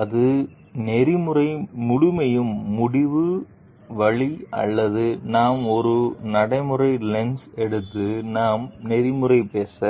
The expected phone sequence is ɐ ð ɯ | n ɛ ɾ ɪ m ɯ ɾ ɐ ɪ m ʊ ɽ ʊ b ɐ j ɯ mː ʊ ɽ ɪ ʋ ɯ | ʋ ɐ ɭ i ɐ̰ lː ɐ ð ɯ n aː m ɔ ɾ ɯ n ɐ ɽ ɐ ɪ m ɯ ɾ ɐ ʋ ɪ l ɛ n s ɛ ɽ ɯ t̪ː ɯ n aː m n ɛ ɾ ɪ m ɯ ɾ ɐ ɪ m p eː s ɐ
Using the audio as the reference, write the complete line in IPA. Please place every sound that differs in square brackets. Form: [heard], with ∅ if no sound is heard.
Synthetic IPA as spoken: ɐ ð ɯ | n ɛ ɾ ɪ m ɯ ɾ ɐ ɪ m ʊ ɽ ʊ [m] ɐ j ɯ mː ʊ ɽ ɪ ʋ ɯ | ʋ ɐ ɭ i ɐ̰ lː ɐ ð ɯ n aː m ɔ ɾ ɯ n ɐ ɽ ɐ ɪ m ɯ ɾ ɐ [∅] ɪ l ɛ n s ɛ ɽ ɯ t̪ː ɯ n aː m n ɛ ɾ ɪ m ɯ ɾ ɐ ɪ [∅] p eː s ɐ